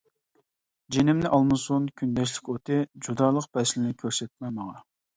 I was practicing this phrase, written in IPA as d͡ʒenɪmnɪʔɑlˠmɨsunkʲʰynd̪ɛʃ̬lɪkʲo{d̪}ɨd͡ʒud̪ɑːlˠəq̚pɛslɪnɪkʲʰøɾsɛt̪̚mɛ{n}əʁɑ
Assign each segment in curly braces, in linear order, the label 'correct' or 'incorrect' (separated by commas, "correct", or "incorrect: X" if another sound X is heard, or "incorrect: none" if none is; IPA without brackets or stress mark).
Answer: incorrect: t̪, incorrect: m